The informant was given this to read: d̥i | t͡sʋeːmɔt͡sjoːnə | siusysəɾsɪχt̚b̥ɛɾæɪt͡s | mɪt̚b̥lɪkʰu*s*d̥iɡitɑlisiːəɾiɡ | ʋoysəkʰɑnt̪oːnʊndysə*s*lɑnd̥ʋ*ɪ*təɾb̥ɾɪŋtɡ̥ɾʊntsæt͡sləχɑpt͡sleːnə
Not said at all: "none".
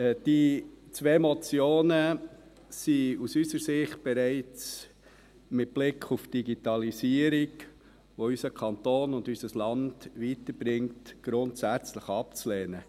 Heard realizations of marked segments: f, s, i

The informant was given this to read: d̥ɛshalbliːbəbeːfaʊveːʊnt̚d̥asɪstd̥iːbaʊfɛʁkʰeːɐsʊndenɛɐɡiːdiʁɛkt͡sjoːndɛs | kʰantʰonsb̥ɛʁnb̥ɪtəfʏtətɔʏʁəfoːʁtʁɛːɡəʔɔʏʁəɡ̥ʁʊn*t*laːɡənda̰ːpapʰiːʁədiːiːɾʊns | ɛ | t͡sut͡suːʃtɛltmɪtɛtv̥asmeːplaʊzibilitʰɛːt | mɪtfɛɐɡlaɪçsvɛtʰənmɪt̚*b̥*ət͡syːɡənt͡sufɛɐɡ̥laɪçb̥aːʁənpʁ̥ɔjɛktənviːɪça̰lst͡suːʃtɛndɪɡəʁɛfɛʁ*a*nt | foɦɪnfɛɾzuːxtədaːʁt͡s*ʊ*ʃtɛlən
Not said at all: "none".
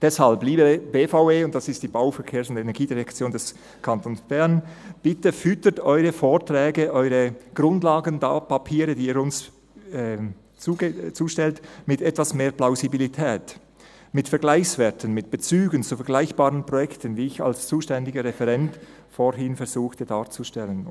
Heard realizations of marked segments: d, b̥, ɛ, u

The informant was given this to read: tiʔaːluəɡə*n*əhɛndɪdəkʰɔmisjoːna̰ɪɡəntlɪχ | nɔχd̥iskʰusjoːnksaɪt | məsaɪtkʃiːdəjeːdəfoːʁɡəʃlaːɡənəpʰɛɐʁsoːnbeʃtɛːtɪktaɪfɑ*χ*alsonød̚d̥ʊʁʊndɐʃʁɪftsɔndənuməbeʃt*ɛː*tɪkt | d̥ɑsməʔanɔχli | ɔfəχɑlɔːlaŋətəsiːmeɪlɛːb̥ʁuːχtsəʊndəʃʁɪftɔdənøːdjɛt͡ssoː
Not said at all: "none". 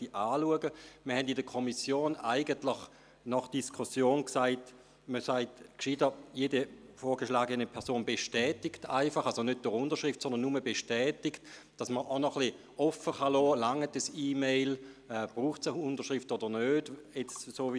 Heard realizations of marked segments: m, χ, ɛː

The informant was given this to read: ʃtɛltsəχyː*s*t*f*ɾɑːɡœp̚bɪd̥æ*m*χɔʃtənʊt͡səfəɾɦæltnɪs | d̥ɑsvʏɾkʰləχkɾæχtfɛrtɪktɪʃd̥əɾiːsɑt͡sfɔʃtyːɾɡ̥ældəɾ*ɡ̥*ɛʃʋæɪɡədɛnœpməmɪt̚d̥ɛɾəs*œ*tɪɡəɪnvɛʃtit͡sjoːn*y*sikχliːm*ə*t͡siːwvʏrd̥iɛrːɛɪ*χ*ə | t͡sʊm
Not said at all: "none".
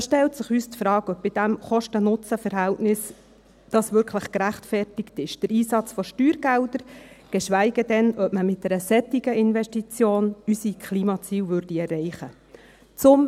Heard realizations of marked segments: s, f, m, ɡ̥, ɛ, y, ɑ, χ

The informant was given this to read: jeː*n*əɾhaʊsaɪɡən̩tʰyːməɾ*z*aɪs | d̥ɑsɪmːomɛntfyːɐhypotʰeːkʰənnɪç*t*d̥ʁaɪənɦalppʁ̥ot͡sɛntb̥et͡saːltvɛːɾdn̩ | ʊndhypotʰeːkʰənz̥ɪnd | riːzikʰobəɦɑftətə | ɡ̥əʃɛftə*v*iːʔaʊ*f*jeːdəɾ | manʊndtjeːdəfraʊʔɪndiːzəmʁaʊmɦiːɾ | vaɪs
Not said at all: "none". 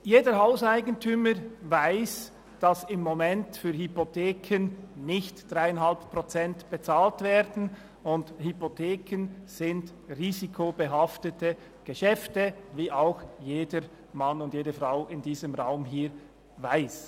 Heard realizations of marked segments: d, v, t, v, x

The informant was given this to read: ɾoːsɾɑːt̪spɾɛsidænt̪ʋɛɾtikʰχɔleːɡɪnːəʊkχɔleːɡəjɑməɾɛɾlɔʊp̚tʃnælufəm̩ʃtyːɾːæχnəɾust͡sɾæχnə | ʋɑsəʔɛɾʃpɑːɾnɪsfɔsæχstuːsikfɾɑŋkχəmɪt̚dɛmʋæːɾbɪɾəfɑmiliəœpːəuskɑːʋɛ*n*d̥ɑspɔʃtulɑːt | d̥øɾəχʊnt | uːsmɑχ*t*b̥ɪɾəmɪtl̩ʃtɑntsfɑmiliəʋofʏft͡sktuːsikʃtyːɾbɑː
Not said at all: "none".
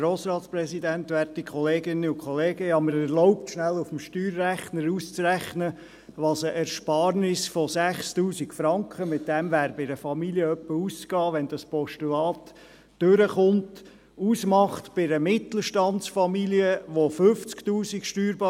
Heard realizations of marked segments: n, t

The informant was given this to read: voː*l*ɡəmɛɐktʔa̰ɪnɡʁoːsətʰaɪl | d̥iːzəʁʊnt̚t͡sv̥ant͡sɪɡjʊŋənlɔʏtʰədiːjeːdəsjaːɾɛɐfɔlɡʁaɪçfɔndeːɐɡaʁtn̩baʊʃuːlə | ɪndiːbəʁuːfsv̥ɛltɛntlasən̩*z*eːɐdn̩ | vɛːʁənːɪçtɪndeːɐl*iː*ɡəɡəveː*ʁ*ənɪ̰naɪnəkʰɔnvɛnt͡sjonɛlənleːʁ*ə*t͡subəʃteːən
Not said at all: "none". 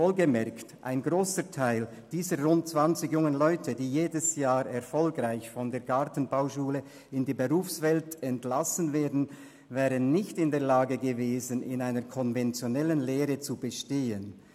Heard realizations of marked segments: l, v, aː, z, ə

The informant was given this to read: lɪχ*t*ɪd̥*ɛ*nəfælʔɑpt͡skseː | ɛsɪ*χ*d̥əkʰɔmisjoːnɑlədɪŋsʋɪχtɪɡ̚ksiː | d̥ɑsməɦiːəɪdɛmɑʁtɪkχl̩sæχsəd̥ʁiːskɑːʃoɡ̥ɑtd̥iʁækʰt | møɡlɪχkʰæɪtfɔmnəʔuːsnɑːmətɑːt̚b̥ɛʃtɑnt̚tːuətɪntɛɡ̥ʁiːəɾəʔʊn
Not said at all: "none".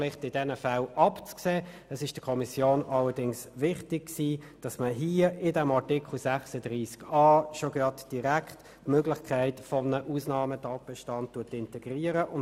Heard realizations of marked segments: t, ɛ, ʃ

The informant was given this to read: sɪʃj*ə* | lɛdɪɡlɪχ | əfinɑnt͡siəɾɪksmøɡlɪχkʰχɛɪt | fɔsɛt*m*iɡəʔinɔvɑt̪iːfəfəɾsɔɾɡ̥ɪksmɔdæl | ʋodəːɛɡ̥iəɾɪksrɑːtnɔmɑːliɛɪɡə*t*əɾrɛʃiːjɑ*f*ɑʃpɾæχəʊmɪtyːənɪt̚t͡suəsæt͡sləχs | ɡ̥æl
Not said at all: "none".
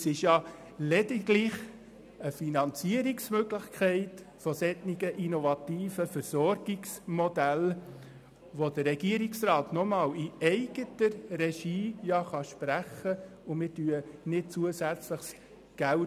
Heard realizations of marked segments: ɑ, n, t, χ

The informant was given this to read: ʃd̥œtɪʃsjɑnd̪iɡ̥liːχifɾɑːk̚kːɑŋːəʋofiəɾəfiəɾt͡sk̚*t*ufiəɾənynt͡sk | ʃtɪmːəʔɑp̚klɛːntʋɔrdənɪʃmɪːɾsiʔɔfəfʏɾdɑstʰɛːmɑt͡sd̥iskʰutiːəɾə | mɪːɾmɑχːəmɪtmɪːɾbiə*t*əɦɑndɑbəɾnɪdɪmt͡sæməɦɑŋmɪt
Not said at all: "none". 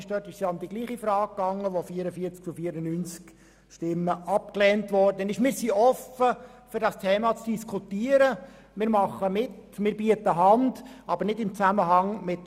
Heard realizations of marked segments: t͡s, t

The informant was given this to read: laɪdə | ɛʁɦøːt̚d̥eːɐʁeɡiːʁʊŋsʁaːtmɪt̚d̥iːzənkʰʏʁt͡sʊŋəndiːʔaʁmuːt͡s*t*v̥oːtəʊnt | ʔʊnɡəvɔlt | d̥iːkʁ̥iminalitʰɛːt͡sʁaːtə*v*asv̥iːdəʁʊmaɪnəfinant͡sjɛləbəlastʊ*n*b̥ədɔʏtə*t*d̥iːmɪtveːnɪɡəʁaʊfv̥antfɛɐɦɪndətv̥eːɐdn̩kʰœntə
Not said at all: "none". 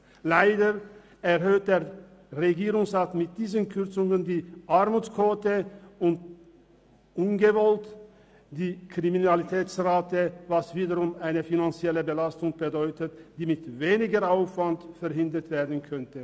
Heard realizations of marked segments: k, v, ŋ, t

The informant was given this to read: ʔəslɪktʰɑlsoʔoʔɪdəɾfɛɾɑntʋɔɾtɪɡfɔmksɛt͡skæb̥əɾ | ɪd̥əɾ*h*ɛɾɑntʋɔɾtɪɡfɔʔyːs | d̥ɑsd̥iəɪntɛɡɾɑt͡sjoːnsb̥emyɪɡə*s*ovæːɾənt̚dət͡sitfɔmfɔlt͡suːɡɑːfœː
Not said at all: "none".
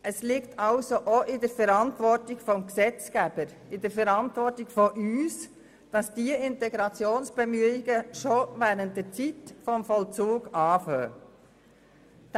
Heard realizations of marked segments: f, ʃ

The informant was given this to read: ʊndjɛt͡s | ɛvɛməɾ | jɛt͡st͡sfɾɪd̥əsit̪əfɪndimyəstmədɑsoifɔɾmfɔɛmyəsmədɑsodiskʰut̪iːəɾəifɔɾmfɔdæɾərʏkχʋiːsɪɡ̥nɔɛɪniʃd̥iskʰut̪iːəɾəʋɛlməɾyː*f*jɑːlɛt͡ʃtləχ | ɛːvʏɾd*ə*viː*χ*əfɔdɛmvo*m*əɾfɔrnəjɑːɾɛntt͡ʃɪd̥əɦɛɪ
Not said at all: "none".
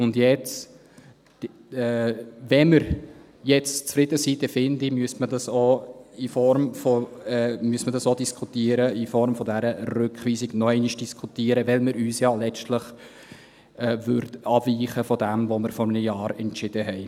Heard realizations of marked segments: s, ɑ, χ, m

